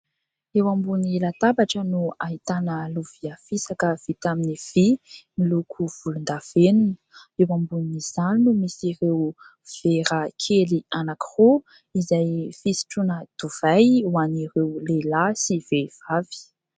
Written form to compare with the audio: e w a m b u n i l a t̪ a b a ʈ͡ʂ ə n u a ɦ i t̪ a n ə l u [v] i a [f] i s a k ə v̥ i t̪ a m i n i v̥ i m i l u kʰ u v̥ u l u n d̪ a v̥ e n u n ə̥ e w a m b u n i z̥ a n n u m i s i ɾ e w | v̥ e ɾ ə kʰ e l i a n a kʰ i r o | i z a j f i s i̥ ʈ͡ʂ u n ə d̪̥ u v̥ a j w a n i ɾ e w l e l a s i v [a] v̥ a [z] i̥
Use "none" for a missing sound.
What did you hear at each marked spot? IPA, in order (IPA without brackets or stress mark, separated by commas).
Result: v, f, e, v